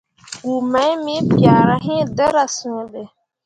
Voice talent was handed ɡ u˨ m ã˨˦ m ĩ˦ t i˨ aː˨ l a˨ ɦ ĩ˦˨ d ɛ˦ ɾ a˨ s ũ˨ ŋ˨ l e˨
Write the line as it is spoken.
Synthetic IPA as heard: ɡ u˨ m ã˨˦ m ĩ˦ p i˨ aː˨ ɾ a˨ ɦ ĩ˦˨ d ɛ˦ ɾ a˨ s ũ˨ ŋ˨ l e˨